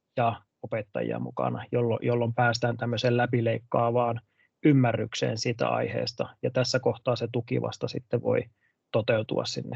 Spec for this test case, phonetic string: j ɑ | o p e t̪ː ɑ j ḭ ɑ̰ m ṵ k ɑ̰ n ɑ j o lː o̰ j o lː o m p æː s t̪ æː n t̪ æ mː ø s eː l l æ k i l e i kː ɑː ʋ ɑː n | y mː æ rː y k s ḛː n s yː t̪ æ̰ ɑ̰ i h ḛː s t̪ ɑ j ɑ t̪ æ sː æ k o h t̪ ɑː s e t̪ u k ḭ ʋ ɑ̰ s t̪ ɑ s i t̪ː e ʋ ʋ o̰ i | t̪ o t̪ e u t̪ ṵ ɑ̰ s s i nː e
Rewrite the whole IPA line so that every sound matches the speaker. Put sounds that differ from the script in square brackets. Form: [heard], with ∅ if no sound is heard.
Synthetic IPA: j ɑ | o p e t̪ː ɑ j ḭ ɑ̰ m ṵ k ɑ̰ n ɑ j o lː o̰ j o lː o m p æː s t̪ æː n t̪ æ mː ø s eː l l æ [p] i l e i kː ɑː ʋ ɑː n | y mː æ rː y k s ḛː n s [iː] t̪ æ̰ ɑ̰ i h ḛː s t̪ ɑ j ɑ t̪ æ sː æ k o h t̪ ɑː s e t̪ u k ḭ ʋ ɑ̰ s t̪ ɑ s i t̪ː e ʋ ʋ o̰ i | t̪ o t̪ e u t̪ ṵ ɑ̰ s s i nː e